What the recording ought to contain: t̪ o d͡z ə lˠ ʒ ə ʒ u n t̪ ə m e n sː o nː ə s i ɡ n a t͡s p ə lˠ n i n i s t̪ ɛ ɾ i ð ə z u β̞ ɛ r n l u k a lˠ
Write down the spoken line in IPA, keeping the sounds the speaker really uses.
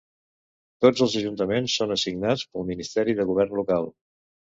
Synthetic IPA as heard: t̪ o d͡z ə lˠ z ə ʒ u n t̪ ə m e n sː o n ə s i ɡ n a t͡s p ə lˠ m i n i s t̪ ɛ ɾ i ð ə ɣ u β̞ ɛ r n l u k a lˠ

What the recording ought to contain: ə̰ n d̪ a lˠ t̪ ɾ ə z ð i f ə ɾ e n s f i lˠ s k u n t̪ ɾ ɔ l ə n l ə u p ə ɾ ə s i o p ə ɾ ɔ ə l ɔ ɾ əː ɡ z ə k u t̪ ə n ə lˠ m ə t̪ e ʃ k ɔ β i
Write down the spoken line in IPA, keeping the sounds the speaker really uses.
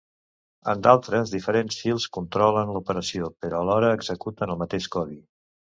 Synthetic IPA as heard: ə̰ n d̪ a lˠ t̪ ɾ ə z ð i f ə ɾ e n s f i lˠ s k u n t̪ ɾ ɔ l ə n l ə u p ə ɾ ə s i o p ə ɾ ɔ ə l ɔ ɾ əː ɡ z ə k u t̪ ə n ə lˠ m ə t̪ e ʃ k ɔ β i

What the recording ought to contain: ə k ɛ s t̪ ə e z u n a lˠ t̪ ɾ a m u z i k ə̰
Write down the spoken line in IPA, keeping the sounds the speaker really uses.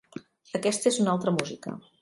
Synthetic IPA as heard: ə k ɛ s t̪ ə e z u n a lˠ t̪ ɾ ə m u z i k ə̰

